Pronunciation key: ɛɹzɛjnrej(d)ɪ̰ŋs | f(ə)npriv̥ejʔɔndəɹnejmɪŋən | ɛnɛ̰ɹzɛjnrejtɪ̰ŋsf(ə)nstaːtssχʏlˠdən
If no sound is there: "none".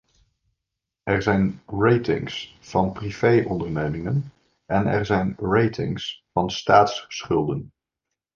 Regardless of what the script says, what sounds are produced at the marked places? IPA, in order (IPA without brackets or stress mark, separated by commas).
t, ɑ, ɑ